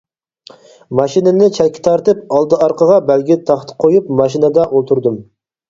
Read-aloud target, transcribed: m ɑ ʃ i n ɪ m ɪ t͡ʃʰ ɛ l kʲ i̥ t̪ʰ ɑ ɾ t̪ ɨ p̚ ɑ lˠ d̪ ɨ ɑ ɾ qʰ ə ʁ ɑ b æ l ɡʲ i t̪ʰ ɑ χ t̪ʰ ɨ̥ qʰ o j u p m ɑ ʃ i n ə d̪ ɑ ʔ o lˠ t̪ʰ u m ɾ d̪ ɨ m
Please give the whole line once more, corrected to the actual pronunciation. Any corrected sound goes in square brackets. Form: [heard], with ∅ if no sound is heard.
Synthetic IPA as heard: m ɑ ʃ i n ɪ [n] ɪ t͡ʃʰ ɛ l kʲ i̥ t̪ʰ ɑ ɾ t̪ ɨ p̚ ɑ lˠ d̪ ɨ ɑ ɾ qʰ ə ʁ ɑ b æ l ɡʲ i t̪ʰ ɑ χ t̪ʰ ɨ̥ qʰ o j u p m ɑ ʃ i n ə d̪ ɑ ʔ o lˠ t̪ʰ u [∅] ɾ d̪ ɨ m